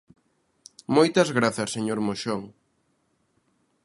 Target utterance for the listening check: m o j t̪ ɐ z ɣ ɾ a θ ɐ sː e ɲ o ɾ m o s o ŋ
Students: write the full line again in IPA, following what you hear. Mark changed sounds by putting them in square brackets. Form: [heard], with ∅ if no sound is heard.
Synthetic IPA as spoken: m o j t̪ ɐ z ɣ ɾ a θ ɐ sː e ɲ o ɾ m o [ʃ] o ŋ